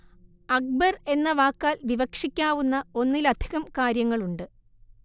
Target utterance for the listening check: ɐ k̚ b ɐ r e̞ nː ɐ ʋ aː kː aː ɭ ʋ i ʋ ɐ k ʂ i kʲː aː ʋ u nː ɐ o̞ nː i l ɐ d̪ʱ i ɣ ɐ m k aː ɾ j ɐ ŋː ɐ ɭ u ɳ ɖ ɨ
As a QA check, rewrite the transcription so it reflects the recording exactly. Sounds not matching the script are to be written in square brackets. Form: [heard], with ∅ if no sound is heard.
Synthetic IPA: ɐ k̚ b ɐ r e̞ nː ɐ ʋ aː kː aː [l] ʋ i ʋ ɐ k ʂ i kʲː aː ʋ u nː ɐ o̞ nː i l ɐ d̪ʱ i ɣ ɐ m k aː ɾ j ɐ ŋː ɐ ɭ u ɳ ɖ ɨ